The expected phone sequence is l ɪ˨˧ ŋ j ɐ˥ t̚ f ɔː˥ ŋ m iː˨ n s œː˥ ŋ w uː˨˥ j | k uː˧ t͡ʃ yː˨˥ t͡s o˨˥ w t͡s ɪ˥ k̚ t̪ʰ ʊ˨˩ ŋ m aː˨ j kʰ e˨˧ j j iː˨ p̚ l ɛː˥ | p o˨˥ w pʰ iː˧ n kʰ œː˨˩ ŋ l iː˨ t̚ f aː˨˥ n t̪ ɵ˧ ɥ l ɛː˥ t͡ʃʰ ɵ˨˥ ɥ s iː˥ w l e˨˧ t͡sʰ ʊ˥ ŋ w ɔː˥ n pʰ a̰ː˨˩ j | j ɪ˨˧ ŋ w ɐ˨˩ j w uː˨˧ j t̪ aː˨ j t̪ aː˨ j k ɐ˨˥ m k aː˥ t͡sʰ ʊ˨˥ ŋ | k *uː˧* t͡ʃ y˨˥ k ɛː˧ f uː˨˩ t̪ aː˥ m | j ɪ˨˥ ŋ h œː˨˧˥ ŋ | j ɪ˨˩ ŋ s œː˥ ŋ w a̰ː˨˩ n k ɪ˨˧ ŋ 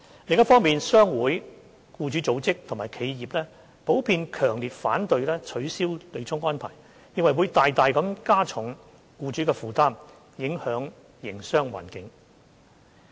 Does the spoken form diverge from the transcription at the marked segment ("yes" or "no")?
no